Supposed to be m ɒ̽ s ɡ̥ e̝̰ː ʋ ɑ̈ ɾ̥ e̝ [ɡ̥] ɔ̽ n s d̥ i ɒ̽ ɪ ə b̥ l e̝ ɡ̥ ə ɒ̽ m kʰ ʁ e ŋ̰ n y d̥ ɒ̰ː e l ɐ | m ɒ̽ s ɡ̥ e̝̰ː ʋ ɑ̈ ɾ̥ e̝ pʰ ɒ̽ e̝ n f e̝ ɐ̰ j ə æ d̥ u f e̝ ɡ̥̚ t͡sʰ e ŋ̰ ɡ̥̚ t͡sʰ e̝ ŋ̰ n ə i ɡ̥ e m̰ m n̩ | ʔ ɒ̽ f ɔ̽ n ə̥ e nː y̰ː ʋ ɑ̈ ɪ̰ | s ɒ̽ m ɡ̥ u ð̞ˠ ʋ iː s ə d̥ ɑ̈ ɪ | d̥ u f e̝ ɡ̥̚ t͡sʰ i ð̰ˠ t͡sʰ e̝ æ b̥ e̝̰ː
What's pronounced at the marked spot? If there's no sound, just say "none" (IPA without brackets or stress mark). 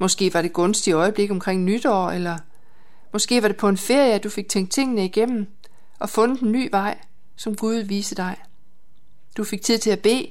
ɡ̥